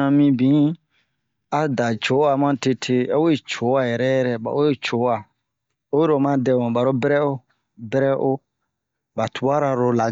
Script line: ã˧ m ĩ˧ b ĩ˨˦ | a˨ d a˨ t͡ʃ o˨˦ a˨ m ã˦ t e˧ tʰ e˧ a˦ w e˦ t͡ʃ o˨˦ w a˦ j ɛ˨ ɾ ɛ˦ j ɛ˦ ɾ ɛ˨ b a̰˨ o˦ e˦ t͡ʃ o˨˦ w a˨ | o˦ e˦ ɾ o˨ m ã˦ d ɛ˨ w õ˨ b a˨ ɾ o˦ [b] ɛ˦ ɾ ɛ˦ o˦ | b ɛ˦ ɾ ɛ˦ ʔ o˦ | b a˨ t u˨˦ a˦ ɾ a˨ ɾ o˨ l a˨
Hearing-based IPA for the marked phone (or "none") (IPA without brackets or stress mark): b